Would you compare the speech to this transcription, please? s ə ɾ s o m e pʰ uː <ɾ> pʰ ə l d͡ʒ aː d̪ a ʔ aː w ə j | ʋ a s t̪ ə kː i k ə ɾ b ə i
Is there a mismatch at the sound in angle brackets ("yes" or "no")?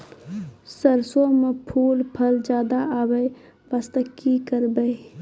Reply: yes